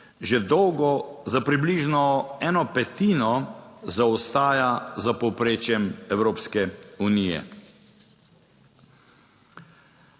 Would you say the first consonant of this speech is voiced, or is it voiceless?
voiced